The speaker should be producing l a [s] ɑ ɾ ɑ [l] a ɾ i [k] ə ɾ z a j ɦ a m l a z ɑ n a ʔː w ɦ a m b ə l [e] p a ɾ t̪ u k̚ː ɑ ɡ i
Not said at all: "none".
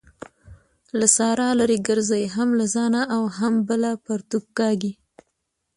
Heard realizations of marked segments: s, l, ɡ, a

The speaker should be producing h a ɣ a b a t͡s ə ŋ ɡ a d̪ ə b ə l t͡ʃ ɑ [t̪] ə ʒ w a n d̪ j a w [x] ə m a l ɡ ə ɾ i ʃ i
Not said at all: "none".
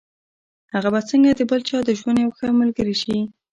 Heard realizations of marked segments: d̪, x

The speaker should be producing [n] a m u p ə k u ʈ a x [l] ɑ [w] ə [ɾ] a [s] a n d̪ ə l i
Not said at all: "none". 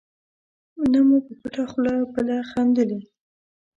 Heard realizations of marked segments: n, l, b, l, x

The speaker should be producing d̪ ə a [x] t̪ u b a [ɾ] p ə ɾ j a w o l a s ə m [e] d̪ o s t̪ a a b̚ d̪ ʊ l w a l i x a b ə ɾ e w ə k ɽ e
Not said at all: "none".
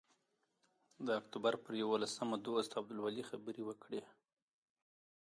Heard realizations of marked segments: k, ɾ, a

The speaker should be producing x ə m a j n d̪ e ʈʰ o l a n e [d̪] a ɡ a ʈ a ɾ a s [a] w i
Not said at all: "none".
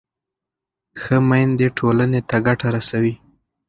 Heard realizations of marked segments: t̪, a

